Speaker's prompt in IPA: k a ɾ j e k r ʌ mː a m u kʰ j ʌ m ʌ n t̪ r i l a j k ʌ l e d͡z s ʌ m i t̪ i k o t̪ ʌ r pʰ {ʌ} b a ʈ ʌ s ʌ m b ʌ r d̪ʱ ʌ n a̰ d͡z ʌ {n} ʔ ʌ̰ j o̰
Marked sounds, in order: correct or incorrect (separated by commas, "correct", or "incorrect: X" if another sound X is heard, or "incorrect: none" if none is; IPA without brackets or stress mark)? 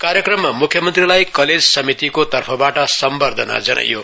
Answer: correct, correct